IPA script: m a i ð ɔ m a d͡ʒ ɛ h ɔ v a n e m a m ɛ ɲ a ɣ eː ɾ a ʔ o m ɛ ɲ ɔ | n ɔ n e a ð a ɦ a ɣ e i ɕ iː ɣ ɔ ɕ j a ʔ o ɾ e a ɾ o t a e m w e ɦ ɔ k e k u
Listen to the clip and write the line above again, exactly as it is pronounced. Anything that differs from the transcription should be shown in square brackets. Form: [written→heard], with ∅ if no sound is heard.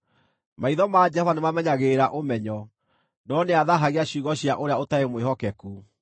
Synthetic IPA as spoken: m a i ð ɔ m a d͡ʒ ɛ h ɔ v a n e m a m ɛ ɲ a ɣ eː ɾ a ʔ o m ɛ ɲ ɔ | n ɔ n e a ð a ɦ a ɣ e [i→a] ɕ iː ɣ ɔ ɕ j a ʔ o ɾ e a [ɾ→∅] o t a e m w e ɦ ɔ k [e→ɛ] k u